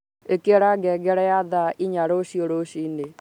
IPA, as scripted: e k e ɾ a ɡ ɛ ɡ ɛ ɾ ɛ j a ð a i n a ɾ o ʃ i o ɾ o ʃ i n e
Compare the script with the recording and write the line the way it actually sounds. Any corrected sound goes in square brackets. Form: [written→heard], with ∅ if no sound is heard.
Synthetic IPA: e k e ɾ a ɡ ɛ ɡ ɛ ɾ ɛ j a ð a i [n→ɲ] a ɾ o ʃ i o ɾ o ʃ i n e